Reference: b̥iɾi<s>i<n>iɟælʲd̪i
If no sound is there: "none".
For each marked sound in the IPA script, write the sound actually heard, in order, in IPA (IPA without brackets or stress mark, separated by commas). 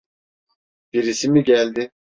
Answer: s, m